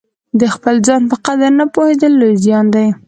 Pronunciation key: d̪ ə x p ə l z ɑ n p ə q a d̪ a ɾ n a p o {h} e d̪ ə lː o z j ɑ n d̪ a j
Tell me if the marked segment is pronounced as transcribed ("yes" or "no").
yes